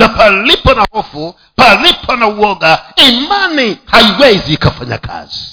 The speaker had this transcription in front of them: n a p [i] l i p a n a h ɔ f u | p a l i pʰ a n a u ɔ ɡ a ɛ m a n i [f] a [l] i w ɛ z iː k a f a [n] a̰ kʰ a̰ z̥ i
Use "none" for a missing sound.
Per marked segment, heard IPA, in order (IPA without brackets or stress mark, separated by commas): a, h, none, ɲ